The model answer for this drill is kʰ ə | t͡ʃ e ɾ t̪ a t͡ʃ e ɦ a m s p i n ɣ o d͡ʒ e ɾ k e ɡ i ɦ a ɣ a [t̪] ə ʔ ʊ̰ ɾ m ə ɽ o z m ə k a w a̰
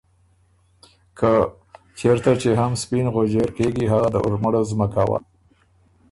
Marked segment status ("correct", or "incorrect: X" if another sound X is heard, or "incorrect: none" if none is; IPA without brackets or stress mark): incorrect: d̪